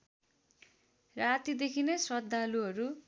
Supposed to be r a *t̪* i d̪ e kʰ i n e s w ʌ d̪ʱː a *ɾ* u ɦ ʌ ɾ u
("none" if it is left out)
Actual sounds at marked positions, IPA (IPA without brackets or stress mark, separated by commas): t̪, l